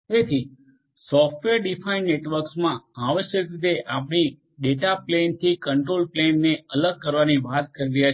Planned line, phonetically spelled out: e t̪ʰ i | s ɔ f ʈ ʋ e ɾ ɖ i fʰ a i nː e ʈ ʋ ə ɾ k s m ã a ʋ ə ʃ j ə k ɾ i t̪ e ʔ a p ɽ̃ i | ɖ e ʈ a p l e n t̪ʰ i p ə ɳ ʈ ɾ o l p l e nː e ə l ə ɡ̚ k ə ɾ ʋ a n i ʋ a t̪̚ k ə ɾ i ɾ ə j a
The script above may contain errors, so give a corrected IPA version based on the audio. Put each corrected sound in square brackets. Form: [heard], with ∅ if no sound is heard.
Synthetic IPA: e t̪ʰ i | s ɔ f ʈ ʋ e ɾ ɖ i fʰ a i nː e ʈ ʋ ə ɾ k s m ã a ʋ ə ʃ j ə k ɾ i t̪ e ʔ a p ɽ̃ i | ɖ e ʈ a p l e n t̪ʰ i [k] ə ɳ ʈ ɾ o l p l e nː e ə l ə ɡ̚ k ə ɾ ʋ a n i ʋ a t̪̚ k ə ɾ i ɾ ə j a